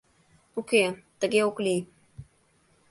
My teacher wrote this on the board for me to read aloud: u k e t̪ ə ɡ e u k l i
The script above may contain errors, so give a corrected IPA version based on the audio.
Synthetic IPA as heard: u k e t̪ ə ɡ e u k l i